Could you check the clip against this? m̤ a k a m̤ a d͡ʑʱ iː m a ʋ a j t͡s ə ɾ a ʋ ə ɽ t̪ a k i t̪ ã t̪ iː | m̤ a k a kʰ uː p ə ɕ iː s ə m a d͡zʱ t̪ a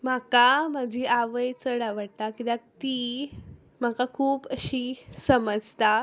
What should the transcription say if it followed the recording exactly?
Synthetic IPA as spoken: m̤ a k a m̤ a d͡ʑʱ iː a ʋ ə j t͡s ə ɽ a ʋ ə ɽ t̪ a k i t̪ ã t̪ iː | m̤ a k a kʰ uː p ə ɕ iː s ə m ə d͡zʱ t̪ a